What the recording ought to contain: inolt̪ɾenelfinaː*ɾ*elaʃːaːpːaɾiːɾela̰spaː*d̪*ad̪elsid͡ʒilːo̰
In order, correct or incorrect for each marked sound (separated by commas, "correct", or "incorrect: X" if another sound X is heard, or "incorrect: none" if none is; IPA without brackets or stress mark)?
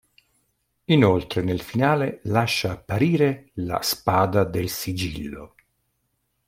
incorrect: l, correct